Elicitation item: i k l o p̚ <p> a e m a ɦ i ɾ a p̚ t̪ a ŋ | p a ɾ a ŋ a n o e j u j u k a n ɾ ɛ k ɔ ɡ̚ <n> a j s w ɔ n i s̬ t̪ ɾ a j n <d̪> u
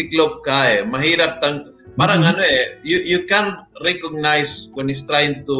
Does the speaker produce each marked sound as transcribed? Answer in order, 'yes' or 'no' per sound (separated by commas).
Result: no, yes, no